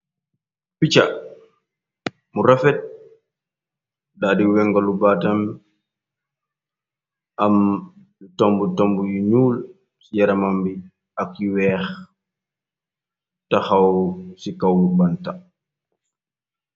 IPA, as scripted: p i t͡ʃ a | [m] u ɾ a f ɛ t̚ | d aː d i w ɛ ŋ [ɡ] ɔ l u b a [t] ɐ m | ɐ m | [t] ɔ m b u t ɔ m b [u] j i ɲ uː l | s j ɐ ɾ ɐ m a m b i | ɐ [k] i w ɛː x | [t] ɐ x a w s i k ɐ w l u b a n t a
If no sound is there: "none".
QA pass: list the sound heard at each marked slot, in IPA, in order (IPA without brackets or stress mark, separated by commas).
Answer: m, ɡ, t, t, u, k, t